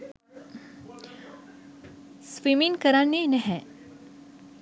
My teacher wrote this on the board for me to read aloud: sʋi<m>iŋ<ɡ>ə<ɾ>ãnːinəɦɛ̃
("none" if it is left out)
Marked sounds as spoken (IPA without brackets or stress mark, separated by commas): m, k, ɾ